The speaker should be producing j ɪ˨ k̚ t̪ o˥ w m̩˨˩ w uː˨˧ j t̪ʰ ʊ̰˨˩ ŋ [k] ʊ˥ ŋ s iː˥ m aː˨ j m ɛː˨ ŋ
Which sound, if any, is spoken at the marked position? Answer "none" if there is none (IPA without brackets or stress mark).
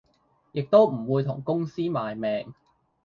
k